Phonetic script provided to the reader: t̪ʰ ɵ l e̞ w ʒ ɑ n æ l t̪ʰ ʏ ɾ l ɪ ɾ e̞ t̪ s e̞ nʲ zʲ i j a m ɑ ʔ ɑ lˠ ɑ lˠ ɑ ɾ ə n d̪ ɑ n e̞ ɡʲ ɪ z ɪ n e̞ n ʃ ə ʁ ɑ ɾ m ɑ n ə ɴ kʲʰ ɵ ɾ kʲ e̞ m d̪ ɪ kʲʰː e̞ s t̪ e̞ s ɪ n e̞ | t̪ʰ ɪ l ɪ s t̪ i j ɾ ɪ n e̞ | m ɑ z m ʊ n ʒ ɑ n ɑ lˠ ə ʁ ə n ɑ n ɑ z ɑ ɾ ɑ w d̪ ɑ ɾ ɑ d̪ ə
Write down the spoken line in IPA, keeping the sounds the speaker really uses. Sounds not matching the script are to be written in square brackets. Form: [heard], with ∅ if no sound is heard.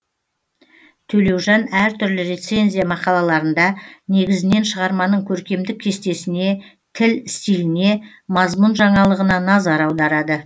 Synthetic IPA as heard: t̪ʰ ɵ l e̞ w ʒ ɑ n æ [ɾ] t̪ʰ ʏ ɾ l ɪ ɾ e̞ t̪ s e̞ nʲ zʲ i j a m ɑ [q] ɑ lˠ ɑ lˠ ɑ ɾ ə n d̪ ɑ n e̞ ɡʲ ɪ z ɪ n e̞ n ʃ ə ʁ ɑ ɾ m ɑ n ə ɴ kʲʰ ɵ ɾ kʲ e̞ m d̪ ɪ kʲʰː e̞ s t̪ e̞ s ɪ n e̞ | t̪ʰ ɪ l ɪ s t̪ i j [l] ɪ n e̞ | m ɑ z m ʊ n ʒ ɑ [ɴ] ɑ lˠ ə ʁ ə n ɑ n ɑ z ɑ ɾ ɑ w d̪ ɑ ɾ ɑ d̪ ə